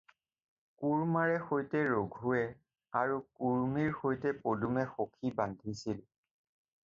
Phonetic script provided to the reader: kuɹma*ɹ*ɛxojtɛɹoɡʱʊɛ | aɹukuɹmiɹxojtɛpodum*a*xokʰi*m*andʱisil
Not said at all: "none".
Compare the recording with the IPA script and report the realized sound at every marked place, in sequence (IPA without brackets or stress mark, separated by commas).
ɹ, ɛ, b